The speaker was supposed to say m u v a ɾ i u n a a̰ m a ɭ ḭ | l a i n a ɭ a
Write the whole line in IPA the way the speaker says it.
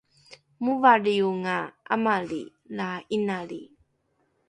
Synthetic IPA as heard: m u v a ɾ i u ŋ a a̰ m a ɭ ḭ | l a i n a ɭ i